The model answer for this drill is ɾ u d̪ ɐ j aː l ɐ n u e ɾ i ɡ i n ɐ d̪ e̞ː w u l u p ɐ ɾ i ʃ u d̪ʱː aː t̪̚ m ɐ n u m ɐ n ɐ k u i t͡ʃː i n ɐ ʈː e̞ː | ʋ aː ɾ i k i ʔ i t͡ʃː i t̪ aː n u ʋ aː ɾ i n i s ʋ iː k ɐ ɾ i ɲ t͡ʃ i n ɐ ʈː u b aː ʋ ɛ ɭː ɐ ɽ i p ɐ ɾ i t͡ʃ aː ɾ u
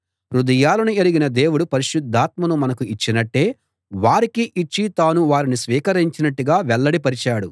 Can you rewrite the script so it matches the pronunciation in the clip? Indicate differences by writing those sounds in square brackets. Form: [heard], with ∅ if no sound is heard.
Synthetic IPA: ɾ u d̪ ɐ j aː l ɐ n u e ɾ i ɡ i n ɐ d̪ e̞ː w u [ɽ] u p ɐ ɾ i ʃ u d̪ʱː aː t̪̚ m ɐ n u m ɐ n ɐ k u i t͡ʃː i n ɐ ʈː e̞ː | ʋ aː ɾ i k i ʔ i t͡ʃː i t̪ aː n u ʋ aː ɾ i n i s ʋ iː k ɐ ɾ i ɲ t͡ʃ i n ɐ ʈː u [ɡ] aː ʋ ɛ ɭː ɐ ɽ i p ɐ ɾ i t͡ʃ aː [ɽ] u